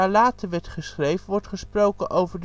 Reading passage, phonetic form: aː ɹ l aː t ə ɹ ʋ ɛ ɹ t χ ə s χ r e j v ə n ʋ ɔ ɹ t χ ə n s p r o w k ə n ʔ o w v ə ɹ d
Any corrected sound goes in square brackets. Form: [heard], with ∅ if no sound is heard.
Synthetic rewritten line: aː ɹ l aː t ə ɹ ʋ ɛ ɹ t χ ə s χ r e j v ə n ʋ ɔ ɹ t χ ə [∅] s p r o w k ə n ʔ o w v ə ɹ d